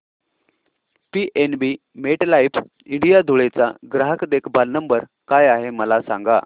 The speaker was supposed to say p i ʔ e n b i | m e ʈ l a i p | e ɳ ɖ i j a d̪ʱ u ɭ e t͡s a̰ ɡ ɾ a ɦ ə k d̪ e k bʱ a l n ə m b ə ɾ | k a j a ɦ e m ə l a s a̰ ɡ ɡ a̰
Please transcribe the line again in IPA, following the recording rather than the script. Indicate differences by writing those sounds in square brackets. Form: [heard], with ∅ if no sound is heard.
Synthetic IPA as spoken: p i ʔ e n b i | m e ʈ l a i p | [i] ɳ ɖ i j a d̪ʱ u ɭ e t͡s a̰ ɡ ɾ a ɦ ə k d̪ e k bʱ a l n ə m b ə ɾ | k a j a ɦ e m ə l a s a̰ [ŋ] ɡ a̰